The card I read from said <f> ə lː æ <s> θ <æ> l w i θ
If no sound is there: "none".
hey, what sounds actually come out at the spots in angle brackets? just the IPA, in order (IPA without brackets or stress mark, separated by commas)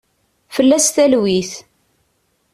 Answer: f, s, æ